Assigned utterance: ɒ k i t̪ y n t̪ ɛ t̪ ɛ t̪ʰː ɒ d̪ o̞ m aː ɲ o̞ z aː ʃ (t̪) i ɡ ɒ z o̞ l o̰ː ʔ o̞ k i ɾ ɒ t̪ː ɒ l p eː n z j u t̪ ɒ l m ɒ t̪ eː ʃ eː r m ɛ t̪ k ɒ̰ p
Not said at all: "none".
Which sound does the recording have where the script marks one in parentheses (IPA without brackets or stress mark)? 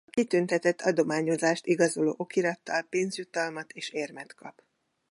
t̪